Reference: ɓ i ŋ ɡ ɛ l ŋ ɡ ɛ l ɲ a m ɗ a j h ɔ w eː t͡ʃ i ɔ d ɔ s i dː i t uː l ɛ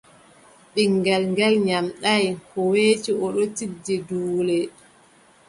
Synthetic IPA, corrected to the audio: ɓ i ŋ ɡ ɛ l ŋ ɡ ɛ l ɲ a m ɗ a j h ɔ w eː t͡ʃ i ɔ ɗ ɔ t i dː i d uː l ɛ